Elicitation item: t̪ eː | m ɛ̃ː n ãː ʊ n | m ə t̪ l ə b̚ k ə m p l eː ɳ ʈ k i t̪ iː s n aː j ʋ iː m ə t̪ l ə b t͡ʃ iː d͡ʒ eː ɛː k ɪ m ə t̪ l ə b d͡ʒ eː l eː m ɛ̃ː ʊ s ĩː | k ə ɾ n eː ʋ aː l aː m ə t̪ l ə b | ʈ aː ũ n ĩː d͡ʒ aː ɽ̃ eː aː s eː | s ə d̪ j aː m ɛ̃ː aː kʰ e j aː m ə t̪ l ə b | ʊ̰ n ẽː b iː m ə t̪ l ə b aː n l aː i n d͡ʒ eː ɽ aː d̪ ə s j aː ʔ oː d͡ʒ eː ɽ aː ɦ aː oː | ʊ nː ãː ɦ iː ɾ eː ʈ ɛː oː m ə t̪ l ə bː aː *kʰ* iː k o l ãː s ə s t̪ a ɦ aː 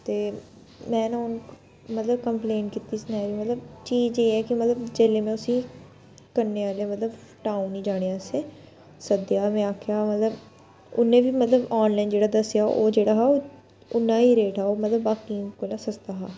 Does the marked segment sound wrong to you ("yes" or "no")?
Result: yes